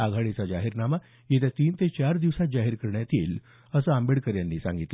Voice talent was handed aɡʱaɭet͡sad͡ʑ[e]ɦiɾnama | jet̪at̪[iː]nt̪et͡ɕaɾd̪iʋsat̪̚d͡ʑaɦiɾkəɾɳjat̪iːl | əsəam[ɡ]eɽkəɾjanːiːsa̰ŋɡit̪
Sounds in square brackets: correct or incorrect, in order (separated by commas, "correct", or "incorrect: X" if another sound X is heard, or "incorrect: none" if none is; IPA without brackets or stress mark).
incorrect: a, correct, incorrect: b